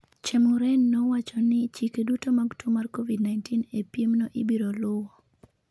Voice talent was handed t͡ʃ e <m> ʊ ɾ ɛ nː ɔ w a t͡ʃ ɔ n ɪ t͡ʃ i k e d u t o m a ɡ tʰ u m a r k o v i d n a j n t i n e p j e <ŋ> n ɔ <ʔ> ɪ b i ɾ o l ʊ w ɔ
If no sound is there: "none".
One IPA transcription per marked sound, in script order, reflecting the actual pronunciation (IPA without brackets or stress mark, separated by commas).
m, m, ʔ